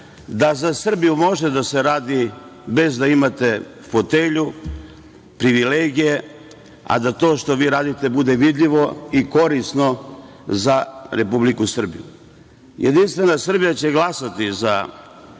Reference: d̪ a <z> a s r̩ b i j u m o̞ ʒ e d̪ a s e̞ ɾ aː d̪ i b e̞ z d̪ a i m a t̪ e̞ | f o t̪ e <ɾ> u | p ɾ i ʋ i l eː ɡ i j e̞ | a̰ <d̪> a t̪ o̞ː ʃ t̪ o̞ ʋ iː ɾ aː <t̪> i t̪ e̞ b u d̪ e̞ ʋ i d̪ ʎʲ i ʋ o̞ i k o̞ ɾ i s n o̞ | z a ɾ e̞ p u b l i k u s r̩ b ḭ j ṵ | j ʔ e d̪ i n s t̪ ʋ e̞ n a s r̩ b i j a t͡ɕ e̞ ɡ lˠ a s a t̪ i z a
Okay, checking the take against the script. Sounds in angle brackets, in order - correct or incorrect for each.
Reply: correct, incorrect, correct, incorrect

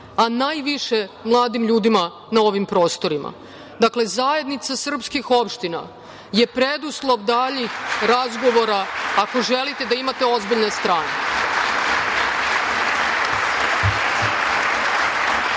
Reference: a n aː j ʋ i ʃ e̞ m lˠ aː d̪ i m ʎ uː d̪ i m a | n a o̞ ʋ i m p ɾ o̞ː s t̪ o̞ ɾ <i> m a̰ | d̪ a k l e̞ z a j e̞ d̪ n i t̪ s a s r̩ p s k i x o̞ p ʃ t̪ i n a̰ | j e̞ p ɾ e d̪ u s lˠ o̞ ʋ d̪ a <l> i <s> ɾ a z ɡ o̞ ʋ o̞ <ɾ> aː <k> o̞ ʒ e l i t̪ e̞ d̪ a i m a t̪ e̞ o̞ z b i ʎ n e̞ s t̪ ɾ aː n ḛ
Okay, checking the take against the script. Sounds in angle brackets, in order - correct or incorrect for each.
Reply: correct, incorrect, incorrect, correct, correct

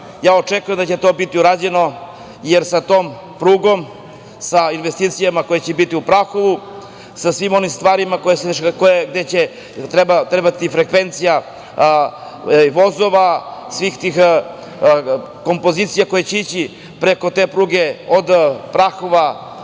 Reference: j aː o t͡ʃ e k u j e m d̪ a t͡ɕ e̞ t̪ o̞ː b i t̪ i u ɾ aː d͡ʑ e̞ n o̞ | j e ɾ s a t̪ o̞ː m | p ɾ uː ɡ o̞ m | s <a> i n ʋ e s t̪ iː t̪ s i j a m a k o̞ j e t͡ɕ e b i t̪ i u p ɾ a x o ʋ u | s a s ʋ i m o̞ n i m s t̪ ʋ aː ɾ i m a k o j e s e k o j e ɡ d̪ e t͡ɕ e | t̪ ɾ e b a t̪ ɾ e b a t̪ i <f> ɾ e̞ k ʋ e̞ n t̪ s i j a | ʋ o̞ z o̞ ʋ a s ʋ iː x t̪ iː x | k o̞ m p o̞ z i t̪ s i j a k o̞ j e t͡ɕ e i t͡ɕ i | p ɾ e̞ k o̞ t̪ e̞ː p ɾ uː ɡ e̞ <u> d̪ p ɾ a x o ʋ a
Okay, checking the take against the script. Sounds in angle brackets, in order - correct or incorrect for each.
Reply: correct, correct, incorrect

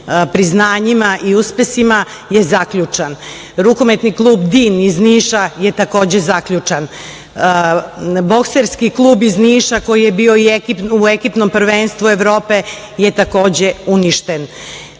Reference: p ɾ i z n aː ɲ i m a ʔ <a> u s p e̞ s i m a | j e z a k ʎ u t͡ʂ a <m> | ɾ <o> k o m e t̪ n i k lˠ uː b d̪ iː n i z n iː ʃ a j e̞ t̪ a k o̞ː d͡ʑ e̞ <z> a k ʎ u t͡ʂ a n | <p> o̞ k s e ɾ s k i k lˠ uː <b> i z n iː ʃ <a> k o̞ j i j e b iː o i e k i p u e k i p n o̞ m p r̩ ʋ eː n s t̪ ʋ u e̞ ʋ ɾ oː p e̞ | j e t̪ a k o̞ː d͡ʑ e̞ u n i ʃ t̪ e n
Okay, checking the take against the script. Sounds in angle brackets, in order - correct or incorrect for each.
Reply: incorrect, incorrect, incorrect, correct, incorrect, correct, correct

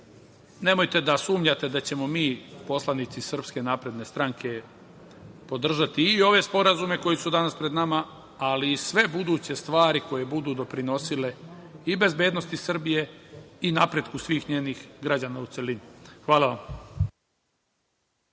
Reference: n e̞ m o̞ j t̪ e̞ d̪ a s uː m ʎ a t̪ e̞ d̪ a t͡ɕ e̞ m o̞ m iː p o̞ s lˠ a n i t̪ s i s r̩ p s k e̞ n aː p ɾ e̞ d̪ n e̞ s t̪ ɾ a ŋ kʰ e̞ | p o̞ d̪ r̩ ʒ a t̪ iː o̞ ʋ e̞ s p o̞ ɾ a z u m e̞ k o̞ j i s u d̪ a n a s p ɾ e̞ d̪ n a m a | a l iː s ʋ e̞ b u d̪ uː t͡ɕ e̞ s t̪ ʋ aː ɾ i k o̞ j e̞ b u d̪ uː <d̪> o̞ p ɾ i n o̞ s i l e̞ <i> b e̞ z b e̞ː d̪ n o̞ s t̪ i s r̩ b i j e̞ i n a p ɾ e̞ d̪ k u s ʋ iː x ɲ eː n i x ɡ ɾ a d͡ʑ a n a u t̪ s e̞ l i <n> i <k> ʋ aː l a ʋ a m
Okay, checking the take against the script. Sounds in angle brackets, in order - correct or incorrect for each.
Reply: correct, correct, correct, incorrect

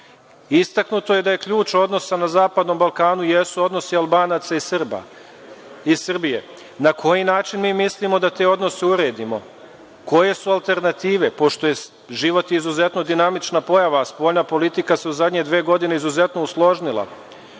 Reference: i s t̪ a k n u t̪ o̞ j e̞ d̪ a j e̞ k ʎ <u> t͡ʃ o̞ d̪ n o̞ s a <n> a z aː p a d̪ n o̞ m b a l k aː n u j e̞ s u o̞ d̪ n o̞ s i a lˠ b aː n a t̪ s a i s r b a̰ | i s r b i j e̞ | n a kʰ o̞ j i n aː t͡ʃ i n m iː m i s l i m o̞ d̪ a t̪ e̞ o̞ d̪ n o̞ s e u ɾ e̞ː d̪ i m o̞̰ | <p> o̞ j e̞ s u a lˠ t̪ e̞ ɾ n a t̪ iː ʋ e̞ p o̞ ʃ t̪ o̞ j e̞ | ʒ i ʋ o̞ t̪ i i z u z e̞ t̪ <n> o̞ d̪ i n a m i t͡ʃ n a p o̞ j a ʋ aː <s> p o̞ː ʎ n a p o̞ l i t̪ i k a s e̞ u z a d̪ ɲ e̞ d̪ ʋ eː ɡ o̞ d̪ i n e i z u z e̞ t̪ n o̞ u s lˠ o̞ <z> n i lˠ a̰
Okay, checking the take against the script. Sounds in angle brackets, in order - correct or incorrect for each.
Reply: incorrect, correct, incorrect, correct, correct, incorrect

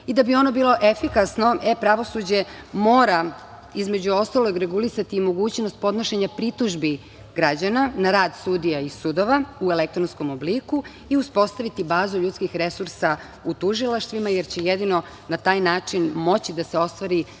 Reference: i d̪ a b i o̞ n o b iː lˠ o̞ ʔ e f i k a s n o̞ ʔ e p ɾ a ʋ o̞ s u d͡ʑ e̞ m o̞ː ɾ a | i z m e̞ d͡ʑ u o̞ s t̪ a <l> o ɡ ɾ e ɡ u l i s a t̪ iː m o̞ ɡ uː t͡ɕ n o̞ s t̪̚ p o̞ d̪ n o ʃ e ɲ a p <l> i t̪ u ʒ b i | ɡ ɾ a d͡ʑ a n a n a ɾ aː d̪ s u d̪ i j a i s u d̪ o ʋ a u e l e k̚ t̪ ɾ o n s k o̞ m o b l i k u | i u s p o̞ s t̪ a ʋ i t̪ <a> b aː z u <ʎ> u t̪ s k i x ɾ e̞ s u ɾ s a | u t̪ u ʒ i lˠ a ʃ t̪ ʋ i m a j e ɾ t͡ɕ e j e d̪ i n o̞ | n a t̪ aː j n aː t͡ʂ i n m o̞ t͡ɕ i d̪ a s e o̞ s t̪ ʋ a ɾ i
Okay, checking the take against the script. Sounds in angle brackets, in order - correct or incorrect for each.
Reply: correct, incorrect, incorrect, correct

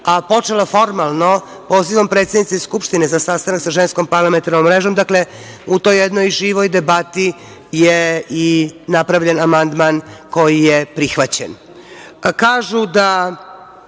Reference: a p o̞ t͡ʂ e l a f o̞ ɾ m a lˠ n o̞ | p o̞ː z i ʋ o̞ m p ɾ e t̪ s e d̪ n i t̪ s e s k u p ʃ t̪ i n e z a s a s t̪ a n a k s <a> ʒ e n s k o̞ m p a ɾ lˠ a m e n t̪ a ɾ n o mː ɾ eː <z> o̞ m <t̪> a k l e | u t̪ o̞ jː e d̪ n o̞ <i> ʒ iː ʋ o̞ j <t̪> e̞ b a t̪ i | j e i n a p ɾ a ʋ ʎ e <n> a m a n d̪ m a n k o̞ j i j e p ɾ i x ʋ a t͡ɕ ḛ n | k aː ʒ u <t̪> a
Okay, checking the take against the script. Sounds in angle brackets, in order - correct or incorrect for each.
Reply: correct, incorrect, incorrect, incorrect, incorrect, correct, incorrect

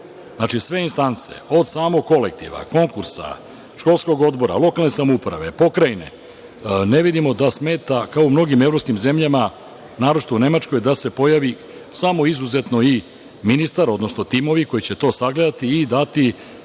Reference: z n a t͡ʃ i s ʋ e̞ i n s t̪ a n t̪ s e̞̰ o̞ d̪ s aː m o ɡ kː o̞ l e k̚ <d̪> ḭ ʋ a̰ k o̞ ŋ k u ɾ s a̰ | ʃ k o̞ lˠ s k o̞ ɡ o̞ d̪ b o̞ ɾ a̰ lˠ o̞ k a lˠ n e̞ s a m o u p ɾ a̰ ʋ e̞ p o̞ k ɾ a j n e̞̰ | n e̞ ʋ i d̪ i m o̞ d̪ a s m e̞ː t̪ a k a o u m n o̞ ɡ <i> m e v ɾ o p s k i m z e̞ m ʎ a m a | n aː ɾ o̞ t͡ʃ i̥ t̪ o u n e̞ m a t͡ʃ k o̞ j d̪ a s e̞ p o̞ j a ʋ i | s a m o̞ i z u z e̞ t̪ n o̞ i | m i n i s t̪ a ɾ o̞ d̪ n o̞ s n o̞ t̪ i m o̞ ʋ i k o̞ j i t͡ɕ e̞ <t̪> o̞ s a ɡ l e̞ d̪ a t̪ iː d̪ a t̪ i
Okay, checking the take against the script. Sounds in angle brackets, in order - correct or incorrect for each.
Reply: incorrect, correct, correct

